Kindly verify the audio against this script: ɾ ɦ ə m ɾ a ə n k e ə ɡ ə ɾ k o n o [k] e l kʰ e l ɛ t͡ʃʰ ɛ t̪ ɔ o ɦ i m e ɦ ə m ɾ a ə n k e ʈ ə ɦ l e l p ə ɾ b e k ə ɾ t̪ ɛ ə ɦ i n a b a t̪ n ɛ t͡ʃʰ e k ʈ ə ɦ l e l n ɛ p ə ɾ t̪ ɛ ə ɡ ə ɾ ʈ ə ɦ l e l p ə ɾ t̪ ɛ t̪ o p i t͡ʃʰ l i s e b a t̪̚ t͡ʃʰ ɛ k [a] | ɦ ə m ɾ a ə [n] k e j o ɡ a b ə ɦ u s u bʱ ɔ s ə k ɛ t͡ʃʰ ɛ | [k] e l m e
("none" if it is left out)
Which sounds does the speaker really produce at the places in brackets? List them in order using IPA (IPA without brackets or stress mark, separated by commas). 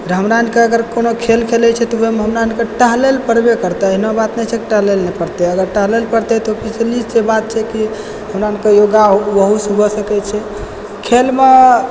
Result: kʰ, i, n, kʰ